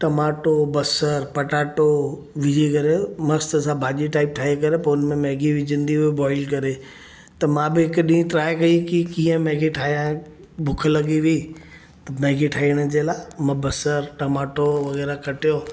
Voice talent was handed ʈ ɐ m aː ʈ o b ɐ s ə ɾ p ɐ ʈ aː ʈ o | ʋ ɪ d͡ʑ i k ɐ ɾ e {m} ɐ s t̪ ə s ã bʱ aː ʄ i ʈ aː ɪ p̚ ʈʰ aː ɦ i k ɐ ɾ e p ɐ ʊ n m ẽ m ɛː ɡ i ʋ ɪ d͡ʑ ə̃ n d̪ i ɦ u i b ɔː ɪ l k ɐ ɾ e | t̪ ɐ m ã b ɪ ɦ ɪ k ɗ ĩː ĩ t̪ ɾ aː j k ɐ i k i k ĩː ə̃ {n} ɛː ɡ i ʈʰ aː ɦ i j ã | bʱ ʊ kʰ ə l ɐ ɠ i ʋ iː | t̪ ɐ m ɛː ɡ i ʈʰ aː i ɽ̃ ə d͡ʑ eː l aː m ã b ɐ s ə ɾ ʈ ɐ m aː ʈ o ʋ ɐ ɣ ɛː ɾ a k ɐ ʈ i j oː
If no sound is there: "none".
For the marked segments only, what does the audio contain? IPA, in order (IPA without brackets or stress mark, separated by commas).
m, m